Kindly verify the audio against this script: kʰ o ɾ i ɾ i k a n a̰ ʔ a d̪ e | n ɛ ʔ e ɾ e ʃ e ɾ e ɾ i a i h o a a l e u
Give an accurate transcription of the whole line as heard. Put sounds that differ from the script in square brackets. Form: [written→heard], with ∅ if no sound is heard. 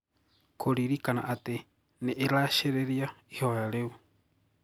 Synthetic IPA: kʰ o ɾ i ɾ i k a n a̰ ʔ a [d̪→t̪] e | n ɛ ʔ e ɾ [e→a] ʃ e ɾ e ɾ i a i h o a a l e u